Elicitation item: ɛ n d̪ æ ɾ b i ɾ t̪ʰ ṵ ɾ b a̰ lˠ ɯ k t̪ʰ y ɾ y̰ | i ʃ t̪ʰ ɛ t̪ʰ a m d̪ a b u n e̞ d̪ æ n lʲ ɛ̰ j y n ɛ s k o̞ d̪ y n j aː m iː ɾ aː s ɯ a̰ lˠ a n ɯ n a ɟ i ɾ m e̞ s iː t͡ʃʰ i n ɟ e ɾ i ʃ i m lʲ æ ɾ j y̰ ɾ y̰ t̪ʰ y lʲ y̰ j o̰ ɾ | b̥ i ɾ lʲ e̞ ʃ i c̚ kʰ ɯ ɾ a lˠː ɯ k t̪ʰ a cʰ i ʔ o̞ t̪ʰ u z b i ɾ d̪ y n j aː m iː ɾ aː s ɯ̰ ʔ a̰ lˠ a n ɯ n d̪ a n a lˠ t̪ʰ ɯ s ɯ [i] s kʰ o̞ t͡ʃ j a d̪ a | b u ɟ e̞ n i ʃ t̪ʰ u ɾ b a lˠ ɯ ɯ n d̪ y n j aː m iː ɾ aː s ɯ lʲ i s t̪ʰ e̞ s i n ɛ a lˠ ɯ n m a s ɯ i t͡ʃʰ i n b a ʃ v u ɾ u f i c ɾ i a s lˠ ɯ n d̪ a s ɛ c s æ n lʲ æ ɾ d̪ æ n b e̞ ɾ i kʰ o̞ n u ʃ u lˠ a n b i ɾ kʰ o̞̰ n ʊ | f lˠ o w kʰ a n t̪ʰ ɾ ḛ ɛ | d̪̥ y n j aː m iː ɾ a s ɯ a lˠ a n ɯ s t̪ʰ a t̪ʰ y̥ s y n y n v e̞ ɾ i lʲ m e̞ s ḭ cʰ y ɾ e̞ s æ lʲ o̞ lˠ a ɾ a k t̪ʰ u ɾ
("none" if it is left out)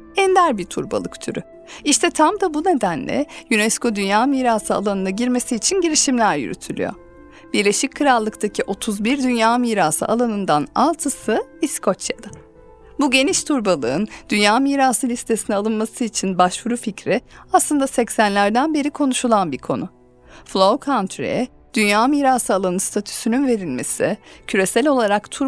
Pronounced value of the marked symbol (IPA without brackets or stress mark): i